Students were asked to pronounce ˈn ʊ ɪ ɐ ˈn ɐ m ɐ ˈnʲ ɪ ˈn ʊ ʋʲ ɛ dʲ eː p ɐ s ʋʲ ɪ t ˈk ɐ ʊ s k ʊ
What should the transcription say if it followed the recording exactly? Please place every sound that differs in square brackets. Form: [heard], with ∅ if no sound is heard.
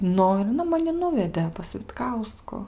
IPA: ˈn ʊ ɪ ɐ ˈn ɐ m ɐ ˈnʲ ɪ ˈn ʊ ʋʲ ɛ dʲ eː p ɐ s ʋʲ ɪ t ˈk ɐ ʊ s k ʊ

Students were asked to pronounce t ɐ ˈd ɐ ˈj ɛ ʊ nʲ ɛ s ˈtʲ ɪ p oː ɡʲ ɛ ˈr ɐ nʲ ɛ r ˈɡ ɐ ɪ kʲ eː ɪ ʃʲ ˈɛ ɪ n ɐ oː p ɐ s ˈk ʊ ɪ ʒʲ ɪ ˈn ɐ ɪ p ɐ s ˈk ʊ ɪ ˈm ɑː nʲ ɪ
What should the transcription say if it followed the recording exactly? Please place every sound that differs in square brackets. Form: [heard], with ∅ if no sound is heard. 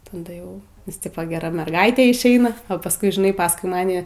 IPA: t ɐ ˈd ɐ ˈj ɛ ʊ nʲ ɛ s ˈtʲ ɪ p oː ɡʲ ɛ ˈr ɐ [mʲ] ɛ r ˈɡ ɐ ɪ [tʲ] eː ɪ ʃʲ ˈɛ ɪ n ɐ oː p ɐ s ˈk ʊ ɪ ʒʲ ɪ ˈn ɐ ɪ p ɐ s ˈk ʊ ɪ ˈm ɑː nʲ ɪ

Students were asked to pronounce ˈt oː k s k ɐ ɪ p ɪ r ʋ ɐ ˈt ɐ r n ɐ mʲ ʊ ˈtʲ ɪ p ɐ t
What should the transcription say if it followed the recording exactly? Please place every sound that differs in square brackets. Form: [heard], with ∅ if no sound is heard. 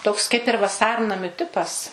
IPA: ˈt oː k s k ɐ ɪ p ɪ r ʋ ɐ [ˈs] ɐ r n ɐ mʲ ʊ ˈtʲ ɪ p ɐ [s]

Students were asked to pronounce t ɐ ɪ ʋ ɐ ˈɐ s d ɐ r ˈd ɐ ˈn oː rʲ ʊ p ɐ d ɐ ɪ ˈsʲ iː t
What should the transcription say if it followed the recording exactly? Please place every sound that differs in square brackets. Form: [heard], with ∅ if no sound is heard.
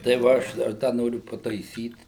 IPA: t ɐ ɪ ʋ ɐ ˈɐ [ʃ] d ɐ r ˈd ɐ ˈn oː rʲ ʊ p ɐ [t] ɐ ɪ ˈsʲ iː t

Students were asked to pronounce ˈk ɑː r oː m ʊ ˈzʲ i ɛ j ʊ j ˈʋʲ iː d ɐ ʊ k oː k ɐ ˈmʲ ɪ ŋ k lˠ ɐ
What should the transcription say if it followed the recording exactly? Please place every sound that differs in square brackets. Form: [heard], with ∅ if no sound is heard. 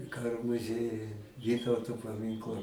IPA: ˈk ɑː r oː m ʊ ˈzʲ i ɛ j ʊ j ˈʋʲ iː [t] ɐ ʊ [t] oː [p] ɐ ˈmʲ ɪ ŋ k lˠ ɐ

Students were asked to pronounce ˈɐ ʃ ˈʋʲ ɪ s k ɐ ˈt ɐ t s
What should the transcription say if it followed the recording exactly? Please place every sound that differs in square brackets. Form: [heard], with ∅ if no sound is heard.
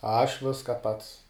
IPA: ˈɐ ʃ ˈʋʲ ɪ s k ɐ [ˈp] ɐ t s

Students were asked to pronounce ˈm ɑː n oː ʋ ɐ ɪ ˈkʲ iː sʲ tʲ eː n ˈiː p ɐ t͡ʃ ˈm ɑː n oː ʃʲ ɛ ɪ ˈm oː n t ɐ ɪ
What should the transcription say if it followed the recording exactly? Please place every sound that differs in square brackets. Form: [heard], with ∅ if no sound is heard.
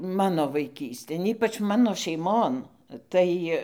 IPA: ˈm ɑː n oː ʋ ɐ ɪ ˈkʲ iː sʲ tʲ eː n ˈiː p ɐ t͡ʃ ˈm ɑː n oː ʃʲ ɛ ɪ ˈm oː n t ɐ ɪ

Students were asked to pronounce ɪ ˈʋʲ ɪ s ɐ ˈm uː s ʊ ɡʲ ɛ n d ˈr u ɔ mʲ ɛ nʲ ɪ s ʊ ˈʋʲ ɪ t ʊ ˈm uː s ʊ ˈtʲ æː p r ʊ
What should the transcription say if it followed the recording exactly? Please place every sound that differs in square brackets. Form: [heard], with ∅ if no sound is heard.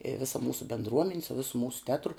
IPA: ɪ ˈʋʲ ɪ s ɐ ˈm uː s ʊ [bʲ] ɛ n d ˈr u ɔ mʲ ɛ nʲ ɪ s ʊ ˈʋʲ ɪ [s] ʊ ˈm uː s ʊ ˈtʲ æː [t] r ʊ

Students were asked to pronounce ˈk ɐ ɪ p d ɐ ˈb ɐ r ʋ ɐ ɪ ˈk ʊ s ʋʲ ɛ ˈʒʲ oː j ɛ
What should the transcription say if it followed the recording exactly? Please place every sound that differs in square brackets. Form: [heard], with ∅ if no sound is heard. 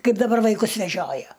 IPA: ˈk ɐ ɪ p d ɐ ˈb ɐ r ʋ ɐ ɪ ˈk ʊ s ʋʲ ɛ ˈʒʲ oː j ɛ

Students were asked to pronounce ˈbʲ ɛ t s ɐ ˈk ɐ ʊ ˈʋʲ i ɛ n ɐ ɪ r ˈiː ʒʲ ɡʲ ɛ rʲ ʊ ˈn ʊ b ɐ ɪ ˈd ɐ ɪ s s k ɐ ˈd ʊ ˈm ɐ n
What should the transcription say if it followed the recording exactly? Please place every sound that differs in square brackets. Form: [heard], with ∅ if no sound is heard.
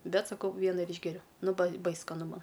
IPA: ˈbʲ ɛ t s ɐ ˈk ɐ ʊ ˈʋʲ i ɛ n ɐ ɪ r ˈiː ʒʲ ɡʲ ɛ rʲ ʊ ˈn ʊ b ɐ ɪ [ˈb] ɐ ɪ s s k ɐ [ˈn] ʊ ˈm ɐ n

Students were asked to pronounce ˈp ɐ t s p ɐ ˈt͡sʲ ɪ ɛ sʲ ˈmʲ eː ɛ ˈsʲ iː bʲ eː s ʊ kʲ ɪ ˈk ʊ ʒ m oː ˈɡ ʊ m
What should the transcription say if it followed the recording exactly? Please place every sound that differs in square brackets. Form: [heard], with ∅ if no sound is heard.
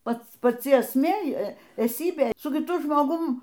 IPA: ˈp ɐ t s p ɐ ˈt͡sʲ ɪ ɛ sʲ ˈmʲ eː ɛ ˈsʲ iː bʲ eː s ʊ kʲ ɪ [ˈt] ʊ ʒ m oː ˈɡ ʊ m

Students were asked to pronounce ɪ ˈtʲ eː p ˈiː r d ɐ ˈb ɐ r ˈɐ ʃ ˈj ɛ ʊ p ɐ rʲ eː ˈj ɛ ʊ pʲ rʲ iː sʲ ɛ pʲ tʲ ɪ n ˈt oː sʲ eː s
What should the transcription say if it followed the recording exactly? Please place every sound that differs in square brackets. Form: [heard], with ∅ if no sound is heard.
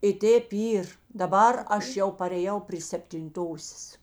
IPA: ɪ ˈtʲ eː p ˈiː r d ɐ ˈb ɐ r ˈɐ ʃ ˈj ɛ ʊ p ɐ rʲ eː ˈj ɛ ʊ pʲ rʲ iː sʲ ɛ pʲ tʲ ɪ n ˈt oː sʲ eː s

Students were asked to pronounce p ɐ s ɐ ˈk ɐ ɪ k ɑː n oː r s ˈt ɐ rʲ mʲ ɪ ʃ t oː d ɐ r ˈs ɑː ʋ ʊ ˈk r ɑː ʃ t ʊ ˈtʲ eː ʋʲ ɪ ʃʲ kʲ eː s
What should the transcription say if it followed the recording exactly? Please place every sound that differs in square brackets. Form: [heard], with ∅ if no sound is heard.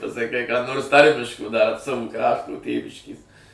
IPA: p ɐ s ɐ ˈk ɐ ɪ k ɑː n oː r s ˈt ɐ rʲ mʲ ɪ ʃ [k] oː d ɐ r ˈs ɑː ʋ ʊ ˈk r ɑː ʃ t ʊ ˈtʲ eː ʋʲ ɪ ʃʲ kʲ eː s

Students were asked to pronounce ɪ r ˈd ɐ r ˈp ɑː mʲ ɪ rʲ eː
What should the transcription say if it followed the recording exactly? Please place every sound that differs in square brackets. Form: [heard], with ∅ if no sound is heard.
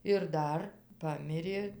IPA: ɪ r ˈd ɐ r ˈp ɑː mʲ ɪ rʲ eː

